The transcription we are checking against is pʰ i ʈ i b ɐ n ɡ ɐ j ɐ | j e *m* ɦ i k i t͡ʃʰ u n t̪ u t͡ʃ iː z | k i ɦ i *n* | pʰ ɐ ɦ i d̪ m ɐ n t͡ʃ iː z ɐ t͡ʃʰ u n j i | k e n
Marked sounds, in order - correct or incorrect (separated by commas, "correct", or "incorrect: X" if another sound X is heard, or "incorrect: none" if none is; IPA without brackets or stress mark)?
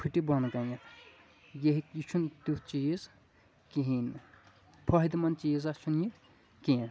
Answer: incorrect: none, correct